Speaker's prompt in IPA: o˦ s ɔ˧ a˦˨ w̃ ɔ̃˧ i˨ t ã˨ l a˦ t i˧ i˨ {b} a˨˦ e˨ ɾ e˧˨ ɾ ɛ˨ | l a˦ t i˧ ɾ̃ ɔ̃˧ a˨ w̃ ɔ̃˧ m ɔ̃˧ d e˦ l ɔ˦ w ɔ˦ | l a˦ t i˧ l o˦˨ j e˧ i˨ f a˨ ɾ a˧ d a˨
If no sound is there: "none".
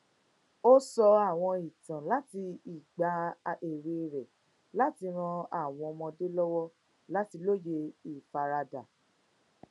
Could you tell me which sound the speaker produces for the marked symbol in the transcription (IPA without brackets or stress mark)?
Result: ɡ͡b